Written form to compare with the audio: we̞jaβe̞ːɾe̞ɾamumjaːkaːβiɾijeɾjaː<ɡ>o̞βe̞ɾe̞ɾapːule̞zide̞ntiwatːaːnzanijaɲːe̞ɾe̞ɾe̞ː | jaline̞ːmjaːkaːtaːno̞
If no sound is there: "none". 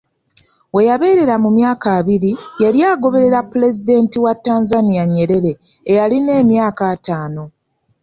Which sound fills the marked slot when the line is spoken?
ɡ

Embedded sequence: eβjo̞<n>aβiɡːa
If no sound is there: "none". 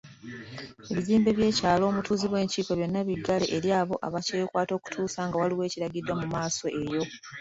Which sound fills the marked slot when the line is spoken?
nː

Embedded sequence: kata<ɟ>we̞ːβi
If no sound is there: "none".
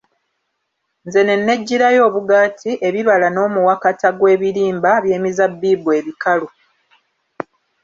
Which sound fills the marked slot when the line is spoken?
ɡ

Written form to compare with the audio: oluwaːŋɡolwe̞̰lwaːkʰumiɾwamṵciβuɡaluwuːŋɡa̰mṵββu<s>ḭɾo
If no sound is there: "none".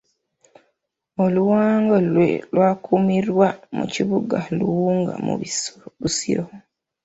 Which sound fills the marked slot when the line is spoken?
s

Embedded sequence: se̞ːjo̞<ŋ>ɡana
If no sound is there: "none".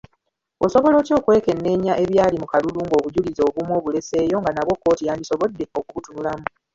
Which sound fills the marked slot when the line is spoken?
ŋ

